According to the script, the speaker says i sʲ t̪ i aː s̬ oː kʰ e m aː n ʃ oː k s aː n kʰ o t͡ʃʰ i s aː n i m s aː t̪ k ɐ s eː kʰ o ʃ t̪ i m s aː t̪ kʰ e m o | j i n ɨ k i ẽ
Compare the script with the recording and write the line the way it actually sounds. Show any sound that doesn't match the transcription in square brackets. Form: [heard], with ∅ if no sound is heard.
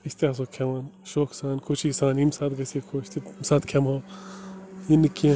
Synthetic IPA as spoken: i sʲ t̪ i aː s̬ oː kʰ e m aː n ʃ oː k s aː n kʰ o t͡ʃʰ i s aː n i m s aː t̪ [ɡ] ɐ s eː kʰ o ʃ t̪ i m s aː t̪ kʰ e m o | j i n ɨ k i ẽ